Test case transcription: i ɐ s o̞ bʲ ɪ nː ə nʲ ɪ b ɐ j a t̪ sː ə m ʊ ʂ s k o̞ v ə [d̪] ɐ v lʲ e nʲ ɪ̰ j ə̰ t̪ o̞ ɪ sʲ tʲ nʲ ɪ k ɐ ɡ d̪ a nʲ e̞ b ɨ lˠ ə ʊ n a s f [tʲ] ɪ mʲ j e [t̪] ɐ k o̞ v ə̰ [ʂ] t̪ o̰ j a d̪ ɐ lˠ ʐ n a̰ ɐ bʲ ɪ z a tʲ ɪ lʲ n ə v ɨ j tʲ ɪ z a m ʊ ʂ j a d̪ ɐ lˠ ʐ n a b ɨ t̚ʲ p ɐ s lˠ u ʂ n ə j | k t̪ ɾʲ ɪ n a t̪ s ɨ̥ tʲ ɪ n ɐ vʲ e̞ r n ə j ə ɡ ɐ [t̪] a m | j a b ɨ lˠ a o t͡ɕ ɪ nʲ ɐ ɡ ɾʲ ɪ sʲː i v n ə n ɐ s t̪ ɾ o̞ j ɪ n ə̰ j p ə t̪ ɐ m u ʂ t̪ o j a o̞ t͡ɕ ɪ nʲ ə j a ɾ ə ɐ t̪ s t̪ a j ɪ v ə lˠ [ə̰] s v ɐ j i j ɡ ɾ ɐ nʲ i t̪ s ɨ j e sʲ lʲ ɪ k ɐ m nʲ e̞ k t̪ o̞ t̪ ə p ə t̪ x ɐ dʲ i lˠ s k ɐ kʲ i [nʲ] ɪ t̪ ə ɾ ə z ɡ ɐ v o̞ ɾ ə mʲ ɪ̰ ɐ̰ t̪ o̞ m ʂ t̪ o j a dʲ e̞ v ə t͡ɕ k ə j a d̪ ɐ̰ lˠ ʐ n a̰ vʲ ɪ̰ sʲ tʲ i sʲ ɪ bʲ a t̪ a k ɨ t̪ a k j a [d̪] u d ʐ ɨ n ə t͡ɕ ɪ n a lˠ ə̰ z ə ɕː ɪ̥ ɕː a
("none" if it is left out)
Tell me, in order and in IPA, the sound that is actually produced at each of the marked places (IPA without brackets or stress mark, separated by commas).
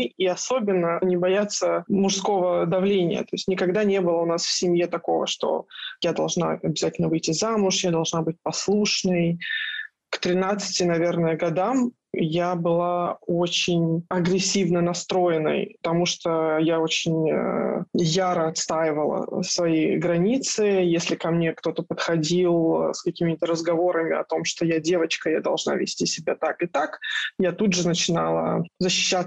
d̪, sʲ, t̪, ʂ, d̪, ə̰, mʲ, t̪